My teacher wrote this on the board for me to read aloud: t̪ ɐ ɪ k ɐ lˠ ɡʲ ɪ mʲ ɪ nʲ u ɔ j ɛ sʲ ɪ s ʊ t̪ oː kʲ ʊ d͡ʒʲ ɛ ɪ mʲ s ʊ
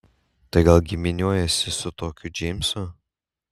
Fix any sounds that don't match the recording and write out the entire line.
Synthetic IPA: t̪ ɐ ɪ ɡ ɐ lˠ ɡʲ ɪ mʲ ɪ nʲ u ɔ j ɛ sʲ ɪ s ʊ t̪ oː kʲ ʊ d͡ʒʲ ɛ ɪ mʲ s ʊ